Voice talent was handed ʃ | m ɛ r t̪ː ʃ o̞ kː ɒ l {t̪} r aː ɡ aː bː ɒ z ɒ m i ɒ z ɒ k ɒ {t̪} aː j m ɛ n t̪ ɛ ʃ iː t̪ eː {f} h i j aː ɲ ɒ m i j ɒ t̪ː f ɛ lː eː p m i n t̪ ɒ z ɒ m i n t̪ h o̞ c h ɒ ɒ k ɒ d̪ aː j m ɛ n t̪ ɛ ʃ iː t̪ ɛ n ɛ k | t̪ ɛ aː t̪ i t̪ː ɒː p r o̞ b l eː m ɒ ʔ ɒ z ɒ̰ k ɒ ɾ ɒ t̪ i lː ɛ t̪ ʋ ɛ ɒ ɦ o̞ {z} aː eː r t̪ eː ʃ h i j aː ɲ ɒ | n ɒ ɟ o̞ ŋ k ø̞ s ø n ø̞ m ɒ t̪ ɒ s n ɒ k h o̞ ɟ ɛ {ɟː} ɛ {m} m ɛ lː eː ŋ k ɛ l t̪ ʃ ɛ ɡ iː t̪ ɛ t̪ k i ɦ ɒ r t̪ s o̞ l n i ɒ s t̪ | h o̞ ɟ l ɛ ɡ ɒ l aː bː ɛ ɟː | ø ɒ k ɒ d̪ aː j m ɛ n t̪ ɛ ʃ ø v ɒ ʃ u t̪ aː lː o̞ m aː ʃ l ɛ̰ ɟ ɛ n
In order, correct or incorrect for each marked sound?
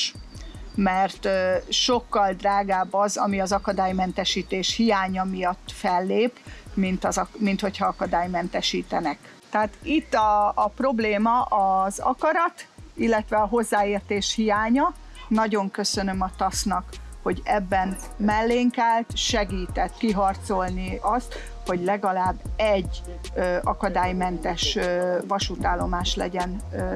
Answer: incorrect, incorrect, incorrect, incorrect, incorrect, incorrect

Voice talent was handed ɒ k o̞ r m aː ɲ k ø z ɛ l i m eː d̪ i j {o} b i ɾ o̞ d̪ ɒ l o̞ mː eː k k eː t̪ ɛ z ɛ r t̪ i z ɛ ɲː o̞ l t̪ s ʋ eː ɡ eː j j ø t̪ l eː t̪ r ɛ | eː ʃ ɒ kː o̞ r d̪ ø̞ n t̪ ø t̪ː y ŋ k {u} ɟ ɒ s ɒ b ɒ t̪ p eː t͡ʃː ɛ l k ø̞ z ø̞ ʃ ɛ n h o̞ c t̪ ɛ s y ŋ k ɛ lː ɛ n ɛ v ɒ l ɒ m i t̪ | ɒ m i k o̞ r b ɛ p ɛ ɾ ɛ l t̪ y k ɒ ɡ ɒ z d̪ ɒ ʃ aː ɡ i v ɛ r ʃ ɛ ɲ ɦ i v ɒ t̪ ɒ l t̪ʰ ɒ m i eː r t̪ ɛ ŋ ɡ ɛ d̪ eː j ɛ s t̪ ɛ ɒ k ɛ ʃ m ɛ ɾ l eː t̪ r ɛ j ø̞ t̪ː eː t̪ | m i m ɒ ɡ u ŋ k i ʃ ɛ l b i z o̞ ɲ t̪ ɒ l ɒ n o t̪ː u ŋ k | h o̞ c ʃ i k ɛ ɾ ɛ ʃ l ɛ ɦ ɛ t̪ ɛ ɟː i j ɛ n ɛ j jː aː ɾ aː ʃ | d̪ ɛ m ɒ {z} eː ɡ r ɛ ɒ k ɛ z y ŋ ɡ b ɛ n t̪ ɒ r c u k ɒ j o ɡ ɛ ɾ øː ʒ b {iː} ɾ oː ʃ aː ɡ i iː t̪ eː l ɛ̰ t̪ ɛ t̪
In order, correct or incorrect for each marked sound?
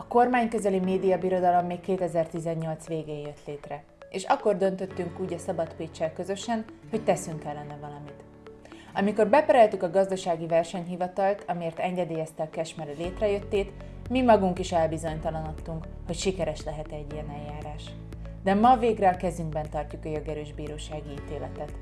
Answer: incorrect, incorrect, incorrect, correct

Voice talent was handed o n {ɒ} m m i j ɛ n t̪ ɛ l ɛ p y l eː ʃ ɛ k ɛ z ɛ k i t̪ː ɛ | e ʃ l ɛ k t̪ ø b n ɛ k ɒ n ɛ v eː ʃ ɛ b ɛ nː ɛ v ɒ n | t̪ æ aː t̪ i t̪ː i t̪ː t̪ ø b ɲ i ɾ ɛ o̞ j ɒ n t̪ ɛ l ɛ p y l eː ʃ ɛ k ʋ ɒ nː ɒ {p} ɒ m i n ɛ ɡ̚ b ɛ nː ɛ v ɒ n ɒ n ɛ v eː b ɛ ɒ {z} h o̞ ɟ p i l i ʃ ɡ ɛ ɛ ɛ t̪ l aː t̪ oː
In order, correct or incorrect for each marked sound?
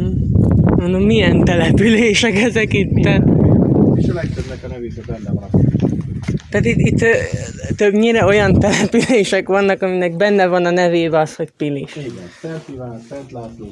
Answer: incorrect, incorrect, incorrect

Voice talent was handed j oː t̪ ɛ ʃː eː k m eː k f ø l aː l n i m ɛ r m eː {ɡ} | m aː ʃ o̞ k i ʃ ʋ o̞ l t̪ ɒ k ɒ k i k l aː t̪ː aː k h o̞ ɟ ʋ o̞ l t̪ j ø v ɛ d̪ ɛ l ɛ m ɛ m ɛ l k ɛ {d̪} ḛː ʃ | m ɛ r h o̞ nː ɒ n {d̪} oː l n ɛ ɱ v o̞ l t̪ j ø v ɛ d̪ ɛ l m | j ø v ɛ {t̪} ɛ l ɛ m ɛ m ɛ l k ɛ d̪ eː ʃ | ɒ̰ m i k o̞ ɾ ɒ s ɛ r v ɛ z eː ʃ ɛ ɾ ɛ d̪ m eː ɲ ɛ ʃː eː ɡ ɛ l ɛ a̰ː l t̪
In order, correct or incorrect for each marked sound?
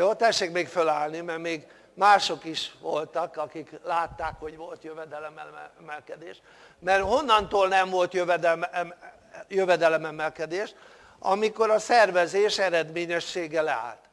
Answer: correct, correct, incorrect, incorrect

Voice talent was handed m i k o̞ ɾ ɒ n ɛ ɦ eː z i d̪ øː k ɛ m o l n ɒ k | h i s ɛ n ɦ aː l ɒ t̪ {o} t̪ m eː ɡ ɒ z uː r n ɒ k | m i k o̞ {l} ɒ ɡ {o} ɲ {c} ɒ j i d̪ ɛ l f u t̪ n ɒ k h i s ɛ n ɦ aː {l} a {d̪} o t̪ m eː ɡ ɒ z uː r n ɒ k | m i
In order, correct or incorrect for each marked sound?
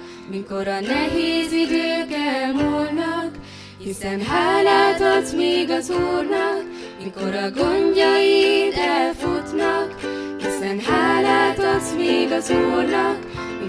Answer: correct, incorrect, correct, incorrect, correct, incorrect

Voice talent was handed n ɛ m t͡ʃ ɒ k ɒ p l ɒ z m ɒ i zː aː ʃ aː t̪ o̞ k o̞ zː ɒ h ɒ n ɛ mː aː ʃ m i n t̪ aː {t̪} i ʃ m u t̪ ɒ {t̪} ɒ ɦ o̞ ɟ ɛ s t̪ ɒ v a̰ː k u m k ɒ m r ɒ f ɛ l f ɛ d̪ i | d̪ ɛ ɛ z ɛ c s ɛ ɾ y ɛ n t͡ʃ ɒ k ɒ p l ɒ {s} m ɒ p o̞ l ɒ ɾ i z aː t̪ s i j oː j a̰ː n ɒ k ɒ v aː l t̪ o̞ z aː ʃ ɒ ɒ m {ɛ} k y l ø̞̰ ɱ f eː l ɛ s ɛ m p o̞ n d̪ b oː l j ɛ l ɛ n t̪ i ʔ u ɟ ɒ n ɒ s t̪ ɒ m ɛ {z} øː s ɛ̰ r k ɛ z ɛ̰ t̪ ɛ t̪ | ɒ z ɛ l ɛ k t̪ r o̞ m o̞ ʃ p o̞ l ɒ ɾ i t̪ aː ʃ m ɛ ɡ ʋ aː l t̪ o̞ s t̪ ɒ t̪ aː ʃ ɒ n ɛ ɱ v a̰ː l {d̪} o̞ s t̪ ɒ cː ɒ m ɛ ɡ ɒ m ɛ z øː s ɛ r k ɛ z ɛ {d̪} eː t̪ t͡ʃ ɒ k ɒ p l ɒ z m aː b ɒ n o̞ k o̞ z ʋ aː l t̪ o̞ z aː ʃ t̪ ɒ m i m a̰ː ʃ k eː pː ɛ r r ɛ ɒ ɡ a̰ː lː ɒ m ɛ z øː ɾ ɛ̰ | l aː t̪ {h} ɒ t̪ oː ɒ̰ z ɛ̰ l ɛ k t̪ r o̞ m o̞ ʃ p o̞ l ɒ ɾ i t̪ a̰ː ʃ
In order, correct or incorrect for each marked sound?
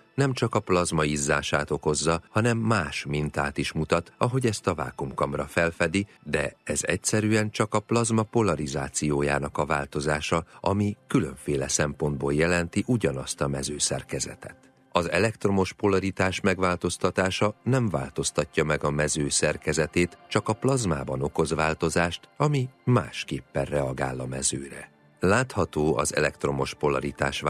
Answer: correct, correct, incorrect, incorrect, correct, incorrect, incorrect, correct

